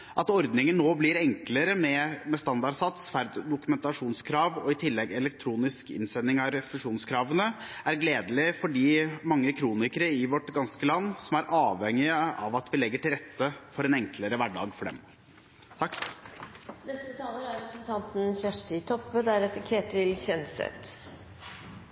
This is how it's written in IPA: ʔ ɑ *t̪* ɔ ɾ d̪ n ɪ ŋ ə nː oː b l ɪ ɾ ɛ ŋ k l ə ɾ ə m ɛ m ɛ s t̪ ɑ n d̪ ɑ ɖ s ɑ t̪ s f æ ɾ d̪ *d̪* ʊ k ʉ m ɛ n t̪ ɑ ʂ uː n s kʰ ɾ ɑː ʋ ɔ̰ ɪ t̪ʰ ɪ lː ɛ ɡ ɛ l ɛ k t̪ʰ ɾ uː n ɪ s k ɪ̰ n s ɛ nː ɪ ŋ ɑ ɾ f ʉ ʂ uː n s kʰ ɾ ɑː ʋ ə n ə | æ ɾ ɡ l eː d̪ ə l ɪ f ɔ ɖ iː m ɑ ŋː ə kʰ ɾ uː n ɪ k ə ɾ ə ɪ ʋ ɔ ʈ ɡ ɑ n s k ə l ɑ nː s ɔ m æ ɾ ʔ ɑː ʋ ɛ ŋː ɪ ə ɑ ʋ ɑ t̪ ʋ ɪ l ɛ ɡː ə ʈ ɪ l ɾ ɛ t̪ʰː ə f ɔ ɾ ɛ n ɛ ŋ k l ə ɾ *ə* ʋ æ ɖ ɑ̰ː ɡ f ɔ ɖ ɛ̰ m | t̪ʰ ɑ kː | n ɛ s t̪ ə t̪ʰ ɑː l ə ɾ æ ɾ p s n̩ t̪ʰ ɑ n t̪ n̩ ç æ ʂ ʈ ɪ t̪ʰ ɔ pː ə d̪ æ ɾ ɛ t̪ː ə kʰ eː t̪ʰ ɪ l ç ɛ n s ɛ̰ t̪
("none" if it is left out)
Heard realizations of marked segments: t̪, d̪, ə

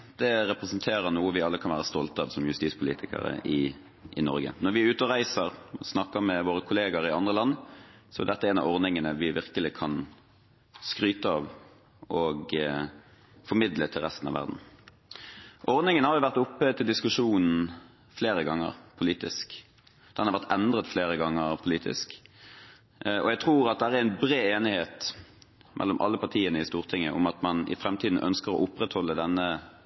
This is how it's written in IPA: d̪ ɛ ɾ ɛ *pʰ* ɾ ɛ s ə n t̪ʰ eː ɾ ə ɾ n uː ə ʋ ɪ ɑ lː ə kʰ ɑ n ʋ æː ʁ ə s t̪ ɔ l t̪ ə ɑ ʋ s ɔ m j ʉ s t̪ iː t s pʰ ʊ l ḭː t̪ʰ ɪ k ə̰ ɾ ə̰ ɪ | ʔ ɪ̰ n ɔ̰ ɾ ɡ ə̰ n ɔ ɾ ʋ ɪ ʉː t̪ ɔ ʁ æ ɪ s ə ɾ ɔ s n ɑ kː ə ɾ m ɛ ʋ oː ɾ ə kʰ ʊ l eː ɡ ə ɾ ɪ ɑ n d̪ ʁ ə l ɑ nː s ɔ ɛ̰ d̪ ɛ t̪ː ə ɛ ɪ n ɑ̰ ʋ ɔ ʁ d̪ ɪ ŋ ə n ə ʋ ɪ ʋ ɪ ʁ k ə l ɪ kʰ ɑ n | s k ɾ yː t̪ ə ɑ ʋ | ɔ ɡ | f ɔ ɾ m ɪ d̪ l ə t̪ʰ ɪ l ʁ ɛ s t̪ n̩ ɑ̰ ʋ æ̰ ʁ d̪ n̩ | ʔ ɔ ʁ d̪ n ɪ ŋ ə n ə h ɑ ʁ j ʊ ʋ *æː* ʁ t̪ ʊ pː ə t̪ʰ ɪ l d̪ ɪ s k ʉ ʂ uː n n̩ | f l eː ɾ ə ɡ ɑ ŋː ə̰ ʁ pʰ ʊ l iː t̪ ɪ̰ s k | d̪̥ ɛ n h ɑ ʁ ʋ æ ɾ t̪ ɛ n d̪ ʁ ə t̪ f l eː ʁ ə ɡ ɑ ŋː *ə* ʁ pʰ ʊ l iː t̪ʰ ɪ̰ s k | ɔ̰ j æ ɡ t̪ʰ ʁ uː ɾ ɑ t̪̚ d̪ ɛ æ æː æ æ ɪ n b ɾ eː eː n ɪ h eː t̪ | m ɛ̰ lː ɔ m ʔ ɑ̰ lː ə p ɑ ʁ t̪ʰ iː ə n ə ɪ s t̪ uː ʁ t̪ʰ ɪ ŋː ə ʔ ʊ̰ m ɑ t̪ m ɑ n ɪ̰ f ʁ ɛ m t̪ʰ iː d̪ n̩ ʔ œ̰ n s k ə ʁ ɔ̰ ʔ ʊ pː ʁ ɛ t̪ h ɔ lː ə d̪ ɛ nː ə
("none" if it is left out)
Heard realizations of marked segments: p, æ, ə

